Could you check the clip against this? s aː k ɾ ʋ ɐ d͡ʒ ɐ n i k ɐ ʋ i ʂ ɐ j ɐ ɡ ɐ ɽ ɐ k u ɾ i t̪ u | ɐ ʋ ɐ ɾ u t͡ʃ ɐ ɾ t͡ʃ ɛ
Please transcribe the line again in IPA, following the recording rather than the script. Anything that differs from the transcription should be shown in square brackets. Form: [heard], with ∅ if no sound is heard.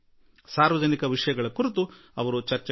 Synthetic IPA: s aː [∅] ɾ ʋ ɐ d͡ʒ ɐ n i k ɐ ʋ i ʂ ɐ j ɐ ɡ ɐ [ɭ] ɐ k u ɾ i t̪ u | ɐ ʋ ɐ ɾ u t͡ʃ ɐ ɾ t͡ʃ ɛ